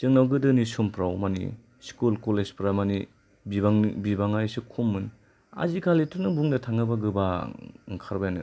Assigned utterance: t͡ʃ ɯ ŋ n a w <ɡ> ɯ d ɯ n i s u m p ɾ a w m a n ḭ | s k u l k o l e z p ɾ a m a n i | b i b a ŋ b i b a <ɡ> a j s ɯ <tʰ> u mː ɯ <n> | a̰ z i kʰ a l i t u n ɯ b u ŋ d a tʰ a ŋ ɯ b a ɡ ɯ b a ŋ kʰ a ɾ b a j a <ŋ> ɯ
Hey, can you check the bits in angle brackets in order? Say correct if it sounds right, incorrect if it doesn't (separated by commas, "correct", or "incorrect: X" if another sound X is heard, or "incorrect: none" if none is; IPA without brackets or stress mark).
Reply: correct, incorrect: ŋ, incorrect: kʰ, correct, incorrect: n